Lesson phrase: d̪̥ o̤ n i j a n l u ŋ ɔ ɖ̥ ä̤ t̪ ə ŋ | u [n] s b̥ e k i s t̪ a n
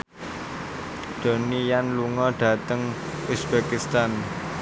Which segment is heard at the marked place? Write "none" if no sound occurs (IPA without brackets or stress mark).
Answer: none